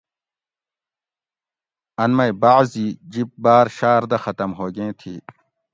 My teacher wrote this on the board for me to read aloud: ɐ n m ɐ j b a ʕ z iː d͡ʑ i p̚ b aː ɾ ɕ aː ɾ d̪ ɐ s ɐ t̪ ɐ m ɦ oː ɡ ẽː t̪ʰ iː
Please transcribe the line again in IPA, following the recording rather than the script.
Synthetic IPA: ɐ n m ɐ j b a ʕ z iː d͡ʑ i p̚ b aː ɾ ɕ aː ɾ d̪ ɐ x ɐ t̪ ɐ m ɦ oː ɡ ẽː t̪ʰ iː